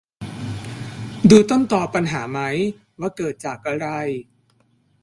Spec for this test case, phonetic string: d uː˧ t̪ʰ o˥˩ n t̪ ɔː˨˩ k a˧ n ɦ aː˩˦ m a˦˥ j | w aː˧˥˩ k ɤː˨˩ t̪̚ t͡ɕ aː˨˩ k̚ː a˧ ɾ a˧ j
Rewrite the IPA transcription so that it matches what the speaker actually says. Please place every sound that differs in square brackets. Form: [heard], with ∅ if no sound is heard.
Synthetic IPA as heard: d uː˧ [t̪] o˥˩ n t̪ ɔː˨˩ [p] a˧ n ɦ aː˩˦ m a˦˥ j | w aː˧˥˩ k ɤː˨˩ t̪̚ t͡ɕ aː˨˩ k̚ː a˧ ɾ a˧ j